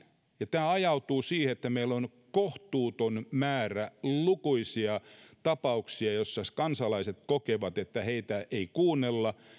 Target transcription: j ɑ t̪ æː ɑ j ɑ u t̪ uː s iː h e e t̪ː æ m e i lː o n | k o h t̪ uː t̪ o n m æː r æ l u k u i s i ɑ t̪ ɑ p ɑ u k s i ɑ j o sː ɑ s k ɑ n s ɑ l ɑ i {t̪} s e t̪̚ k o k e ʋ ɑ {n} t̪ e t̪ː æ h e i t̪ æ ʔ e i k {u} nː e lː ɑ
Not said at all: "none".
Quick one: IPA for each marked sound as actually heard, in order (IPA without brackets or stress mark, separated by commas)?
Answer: none, none, uː